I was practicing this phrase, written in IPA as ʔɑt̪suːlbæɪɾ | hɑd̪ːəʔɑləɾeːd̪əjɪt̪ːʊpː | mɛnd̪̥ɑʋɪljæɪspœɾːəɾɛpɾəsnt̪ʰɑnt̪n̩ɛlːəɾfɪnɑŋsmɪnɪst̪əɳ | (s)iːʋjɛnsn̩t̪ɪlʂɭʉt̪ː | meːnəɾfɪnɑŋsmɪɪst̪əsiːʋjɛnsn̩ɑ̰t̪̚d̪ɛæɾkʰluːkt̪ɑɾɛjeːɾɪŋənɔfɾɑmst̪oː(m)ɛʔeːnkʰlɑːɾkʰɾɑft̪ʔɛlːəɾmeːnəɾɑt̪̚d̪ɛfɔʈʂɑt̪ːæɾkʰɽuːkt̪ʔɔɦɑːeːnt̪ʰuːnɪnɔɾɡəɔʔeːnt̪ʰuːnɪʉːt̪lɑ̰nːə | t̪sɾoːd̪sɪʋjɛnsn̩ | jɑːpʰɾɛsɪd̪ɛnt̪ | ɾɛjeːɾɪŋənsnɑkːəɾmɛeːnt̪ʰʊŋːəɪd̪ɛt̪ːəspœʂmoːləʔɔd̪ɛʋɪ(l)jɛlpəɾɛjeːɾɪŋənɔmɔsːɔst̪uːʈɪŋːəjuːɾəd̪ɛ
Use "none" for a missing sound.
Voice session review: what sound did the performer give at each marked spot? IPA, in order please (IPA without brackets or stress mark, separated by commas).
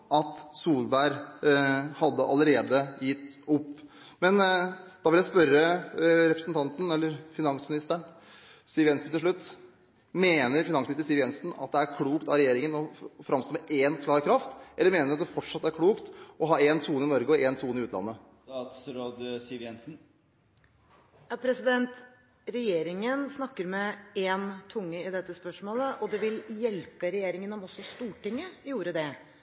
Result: s, m, l